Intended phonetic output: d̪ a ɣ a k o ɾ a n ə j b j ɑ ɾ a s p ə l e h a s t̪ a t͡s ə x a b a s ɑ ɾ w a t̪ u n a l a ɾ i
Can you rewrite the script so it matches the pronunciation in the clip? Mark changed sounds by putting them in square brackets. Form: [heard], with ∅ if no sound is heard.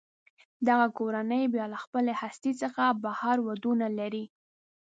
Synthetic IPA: d̪ a ɣ a k o ɾ a n ə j b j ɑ [l] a [x] p ə l e h a s t̪ [i] t͡s ə x a b a [h] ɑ ɾ w a [d̪] u n a l a ɾ i